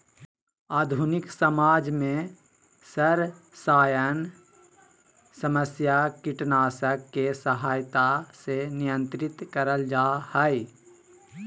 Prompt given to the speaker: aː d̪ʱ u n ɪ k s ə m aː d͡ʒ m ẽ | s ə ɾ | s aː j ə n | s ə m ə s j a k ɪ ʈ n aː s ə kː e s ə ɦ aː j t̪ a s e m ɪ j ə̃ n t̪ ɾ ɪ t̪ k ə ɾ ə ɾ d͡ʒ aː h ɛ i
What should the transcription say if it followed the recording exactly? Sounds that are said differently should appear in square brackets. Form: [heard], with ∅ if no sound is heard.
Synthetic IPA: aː d̪ʱ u n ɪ k s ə m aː d͡ʒ m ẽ | s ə ɾ | s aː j ə n | s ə m ə s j a k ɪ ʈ n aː s ə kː e s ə ɦ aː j t̪ a s e [n] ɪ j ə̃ n t̪ ɾ ɪ t̪ k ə ɾ ə [l] d͡ʒ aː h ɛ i